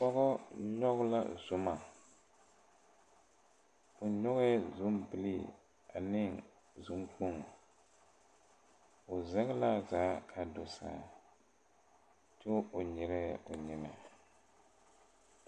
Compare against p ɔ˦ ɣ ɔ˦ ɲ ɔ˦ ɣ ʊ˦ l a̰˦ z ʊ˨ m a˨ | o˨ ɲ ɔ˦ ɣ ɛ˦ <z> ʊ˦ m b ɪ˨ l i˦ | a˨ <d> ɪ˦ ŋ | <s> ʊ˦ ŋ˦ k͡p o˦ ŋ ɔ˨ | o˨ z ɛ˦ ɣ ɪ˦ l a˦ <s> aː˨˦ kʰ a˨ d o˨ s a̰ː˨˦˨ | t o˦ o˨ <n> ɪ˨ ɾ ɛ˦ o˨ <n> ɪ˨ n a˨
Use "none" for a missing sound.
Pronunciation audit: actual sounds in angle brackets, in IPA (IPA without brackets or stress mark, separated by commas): z, n, z, z, ɲ, ɲ